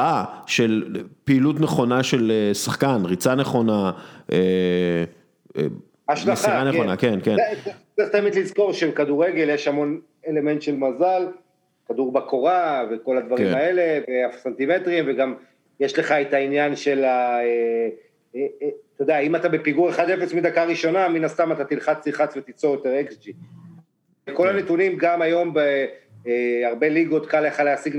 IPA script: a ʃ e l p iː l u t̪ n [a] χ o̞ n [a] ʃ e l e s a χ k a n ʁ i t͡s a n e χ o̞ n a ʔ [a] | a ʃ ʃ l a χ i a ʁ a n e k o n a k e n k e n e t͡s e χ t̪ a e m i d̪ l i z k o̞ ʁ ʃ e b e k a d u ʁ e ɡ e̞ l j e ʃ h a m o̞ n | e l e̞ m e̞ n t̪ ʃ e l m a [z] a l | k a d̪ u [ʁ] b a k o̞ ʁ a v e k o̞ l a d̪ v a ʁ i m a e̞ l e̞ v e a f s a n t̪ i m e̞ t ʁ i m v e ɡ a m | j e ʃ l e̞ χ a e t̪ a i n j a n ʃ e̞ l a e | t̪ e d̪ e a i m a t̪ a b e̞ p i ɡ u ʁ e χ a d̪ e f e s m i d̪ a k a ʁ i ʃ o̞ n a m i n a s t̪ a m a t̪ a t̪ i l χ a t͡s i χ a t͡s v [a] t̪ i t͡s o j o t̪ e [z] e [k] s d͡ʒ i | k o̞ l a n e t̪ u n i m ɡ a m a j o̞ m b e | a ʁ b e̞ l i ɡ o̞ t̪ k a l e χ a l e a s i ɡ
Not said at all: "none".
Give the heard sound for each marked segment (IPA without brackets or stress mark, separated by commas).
e, a, e, z, ʁ, e, ʁ, k